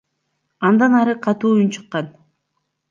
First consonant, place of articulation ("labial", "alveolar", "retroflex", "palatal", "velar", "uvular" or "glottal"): alveolar